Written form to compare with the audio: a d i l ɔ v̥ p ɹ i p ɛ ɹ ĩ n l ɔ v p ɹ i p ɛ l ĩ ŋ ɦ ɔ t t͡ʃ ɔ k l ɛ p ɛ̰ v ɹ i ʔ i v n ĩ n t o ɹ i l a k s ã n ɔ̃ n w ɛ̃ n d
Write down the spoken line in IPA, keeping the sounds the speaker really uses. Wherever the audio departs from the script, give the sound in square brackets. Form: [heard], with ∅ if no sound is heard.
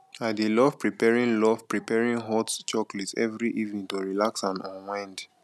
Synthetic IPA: a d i l ɔ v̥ p ɹ i p ɛ ɹ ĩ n l ɔ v p ɹ i p ɛ [ɹ] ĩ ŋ ɦ ɔ t t͡ʃ ɔ k l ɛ [t] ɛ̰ v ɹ i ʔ i v n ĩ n t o ɹ i l a k s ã n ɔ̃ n w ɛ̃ n d